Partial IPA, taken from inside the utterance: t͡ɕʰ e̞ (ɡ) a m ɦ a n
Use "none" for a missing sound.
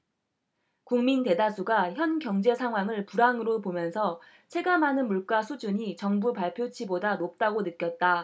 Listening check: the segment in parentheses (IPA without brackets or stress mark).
ɡ